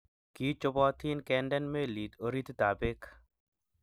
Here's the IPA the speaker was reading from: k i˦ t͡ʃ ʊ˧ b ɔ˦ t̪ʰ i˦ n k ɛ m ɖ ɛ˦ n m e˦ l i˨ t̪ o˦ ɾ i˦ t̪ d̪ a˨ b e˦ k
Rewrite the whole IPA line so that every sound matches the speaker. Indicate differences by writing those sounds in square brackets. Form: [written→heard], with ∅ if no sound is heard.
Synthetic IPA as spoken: k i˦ t͡ʃ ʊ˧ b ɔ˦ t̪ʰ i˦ n k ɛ [m→n] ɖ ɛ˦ n m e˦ l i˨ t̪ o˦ ɾ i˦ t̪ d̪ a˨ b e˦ k

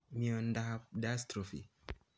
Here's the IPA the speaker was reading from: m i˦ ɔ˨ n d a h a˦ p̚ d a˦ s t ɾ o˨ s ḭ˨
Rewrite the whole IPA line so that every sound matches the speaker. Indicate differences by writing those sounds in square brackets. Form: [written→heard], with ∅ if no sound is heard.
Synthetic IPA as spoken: m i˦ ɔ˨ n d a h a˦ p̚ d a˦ s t ɾ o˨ [s→f] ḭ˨

